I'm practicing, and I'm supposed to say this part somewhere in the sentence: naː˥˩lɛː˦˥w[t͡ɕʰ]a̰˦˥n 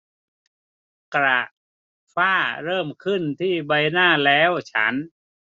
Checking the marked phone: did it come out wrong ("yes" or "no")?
no